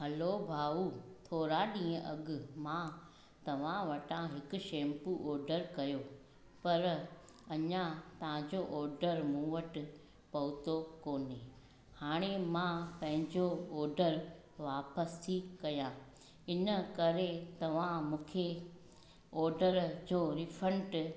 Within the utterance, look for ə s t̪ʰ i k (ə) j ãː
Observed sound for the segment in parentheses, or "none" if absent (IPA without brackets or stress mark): ɐ